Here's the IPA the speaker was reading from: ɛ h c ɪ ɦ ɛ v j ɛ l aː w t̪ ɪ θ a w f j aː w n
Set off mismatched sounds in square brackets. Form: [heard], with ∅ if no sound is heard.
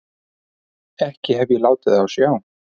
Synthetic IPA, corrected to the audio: ɛ h c ɪ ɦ ɛ v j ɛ l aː w t̪ ɪ [ð] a w [s] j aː w n